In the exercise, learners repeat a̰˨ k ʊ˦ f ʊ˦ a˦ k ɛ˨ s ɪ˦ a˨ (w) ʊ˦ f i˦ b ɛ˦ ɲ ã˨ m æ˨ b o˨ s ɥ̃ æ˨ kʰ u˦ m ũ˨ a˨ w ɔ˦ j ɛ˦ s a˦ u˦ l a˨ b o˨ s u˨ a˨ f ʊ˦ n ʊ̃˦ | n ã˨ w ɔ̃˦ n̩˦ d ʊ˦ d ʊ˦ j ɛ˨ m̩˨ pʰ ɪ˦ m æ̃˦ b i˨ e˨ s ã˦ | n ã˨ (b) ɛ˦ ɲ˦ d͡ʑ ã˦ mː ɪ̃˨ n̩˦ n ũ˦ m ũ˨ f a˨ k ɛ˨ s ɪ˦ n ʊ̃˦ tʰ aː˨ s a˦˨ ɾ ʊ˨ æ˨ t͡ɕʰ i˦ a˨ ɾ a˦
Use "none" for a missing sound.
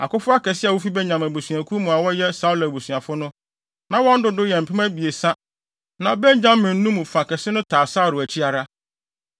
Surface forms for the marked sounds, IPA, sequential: w, b

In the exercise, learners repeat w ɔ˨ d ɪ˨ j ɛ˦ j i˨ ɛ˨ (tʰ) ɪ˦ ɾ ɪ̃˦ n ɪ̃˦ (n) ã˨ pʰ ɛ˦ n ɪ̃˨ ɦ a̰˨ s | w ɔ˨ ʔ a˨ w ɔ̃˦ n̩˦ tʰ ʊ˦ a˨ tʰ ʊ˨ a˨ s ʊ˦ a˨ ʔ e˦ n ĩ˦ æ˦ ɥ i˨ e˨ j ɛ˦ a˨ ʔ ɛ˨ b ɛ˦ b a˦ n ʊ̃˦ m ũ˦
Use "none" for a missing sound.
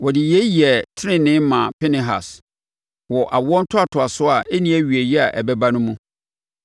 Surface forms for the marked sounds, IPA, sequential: tʰ, m

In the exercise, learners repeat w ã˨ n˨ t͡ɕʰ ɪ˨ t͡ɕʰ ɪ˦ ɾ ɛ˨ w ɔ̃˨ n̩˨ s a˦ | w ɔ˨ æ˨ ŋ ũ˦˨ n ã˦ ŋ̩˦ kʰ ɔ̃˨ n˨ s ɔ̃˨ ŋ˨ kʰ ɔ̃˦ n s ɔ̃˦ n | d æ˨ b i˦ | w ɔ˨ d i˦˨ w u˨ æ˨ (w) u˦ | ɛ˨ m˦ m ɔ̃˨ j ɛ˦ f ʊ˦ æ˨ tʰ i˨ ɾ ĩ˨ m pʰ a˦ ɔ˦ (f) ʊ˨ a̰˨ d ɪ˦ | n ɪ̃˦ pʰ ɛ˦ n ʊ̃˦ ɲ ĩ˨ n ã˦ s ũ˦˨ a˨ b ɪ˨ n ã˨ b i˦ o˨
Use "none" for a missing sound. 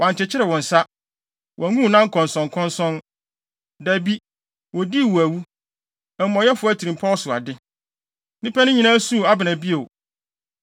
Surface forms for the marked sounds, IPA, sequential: w, s

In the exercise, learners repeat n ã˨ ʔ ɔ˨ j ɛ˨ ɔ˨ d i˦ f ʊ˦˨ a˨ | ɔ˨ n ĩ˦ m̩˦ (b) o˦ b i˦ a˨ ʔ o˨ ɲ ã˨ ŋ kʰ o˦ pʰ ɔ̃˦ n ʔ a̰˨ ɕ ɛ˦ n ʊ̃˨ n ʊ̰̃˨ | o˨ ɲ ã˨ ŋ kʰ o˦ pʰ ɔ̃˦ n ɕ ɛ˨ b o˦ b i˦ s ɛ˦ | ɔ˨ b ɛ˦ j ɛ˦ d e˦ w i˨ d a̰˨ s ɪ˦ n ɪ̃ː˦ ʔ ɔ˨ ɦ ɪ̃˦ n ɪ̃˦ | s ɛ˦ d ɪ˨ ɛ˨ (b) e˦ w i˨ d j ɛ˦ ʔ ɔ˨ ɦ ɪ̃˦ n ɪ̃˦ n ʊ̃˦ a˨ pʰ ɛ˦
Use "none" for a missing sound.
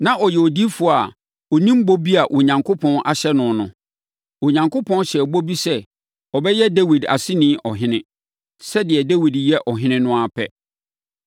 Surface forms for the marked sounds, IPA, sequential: b, d

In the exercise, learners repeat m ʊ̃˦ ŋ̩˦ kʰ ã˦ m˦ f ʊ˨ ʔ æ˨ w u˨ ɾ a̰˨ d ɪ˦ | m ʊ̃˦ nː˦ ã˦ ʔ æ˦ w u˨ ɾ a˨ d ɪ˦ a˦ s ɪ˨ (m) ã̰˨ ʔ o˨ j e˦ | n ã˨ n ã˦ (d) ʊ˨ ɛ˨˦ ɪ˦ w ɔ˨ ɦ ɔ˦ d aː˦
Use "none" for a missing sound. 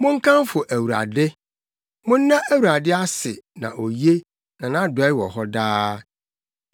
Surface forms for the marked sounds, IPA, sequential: n, d

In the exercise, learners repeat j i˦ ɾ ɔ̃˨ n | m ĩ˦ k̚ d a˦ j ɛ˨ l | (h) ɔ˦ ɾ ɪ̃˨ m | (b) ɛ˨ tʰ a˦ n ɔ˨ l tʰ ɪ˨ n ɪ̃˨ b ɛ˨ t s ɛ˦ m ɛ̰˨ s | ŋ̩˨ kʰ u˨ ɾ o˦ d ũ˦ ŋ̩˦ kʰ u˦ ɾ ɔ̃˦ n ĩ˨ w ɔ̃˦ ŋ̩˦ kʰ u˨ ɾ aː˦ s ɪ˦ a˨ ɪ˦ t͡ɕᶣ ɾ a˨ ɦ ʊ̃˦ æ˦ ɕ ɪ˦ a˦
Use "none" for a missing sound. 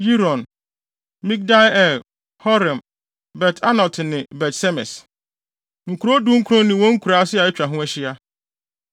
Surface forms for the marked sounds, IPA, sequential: h, b

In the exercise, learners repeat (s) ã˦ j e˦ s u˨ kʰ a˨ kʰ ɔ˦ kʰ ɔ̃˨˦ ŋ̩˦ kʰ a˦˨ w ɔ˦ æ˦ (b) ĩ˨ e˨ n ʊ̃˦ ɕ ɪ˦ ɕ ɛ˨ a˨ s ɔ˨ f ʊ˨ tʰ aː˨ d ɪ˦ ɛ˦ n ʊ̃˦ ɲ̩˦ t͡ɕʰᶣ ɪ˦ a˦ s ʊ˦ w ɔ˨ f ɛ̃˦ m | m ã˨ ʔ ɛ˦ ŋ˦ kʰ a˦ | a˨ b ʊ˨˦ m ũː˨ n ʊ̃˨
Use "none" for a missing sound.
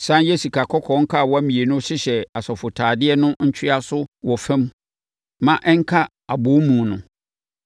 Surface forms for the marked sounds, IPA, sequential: s, m

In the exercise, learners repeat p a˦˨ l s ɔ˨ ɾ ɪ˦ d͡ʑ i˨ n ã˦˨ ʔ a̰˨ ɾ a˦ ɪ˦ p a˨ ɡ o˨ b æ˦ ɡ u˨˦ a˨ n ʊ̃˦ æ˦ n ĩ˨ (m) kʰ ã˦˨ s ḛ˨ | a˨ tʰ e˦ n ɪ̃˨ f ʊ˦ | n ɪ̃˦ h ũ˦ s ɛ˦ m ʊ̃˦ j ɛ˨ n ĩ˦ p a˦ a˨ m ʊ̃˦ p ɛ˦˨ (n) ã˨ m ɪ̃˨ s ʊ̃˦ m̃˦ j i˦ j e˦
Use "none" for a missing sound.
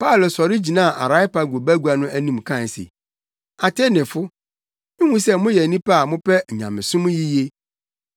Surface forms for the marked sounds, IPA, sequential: m, ɲ

